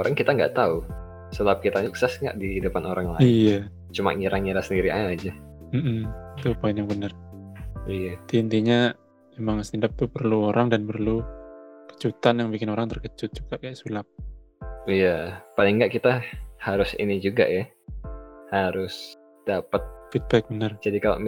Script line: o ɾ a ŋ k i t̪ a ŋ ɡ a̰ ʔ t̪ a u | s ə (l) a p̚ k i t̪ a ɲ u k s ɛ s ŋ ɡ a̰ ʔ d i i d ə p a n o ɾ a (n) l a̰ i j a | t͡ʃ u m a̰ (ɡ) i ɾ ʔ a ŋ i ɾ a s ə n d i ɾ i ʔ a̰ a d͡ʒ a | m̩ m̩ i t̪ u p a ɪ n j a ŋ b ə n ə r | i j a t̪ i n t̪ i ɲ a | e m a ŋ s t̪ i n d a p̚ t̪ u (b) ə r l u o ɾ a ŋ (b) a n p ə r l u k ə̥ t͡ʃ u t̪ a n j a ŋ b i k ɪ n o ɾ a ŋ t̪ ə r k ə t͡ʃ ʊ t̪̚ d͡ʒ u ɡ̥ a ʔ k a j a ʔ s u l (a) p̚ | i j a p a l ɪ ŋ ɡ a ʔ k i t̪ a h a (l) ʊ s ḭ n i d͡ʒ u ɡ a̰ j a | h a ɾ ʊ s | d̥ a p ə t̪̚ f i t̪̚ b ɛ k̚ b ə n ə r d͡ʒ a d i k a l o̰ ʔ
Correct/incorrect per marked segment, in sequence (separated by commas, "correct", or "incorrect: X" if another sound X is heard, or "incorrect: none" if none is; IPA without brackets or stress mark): correct, incorrect: ŋ, incorrect: ŋ, incorrect: p, incorrect: d, correct, incorrect: ɾ